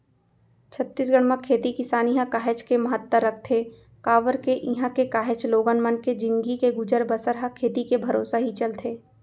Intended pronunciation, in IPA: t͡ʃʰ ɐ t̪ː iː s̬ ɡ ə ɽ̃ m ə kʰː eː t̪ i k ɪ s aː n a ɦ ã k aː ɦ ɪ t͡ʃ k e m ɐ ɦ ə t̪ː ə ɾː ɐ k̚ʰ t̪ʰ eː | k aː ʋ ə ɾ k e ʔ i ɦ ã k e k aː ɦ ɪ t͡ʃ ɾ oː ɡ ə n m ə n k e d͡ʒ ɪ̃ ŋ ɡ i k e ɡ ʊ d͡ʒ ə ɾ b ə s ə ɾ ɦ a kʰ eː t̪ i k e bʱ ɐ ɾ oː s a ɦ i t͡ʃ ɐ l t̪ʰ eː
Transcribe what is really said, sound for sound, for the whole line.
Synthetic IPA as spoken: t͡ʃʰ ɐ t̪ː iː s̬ ɡ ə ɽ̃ m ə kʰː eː t̪ i k ɪ s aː n i ɦ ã k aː ɦ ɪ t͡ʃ k e m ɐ ɦ ə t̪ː ə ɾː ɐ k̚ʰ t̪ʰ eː | k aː ʋ ə ɾ k e ʔ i ɦ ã k e k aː ɦ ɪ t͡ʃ l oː ɡ ə n m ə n k e d͡ʒ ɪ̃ ŋ ɡ i k e ɡ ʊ d͡ʒ ə ɾ b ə s ə ɾ ɦ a kʰ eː t̪ i k e bʱ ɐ ɾ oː s a ɦ i t͡ʃ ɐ l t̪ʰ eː